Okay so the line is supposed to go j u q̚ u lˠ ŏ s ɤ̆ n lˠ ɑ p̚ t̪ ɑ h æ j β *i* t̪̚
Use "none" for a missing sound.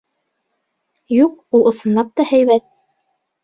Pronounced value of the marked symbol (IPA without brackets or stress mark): æ